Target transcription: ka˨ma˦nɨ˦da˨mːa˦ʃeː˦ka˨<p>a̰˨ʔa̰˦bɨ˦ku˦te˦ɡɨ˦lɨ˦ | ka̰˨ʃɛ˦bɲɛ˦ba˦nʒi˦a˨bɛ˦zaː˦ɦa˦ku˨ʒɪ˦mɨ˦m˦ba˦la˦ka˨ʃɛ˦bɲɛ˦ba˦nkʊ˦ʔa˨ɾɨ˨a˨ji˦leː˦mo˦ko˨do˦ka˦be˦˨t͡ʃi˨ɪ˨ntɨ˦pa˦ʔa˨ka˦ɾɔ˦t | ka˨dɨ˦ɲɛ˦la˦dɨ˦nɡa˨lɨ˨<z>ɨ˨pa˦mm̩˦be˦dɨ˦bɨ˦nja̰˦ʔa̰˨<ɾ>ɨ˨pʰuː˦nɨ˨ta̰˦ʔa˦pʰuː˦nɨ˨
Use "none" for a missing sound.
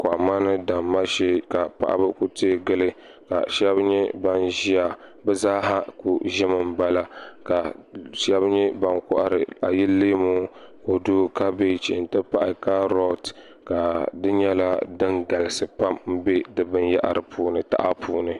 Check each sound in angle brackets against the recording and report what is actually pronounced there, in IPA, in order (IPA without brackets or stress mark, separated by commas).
p, s, ɾ